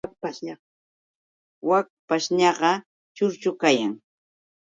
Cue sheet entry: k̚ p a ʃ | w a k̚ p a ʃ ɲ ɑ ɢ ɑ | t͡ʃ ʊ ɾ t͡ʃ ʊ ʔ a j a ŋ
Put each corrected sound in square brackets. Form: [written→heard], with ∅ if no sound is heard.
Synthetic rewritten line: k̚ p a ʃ | w a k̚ p a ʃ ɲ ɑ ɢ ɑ | t͡ʃ ʊ ɾ t͡ʃ ʊ [ʔ→k] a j a ŋ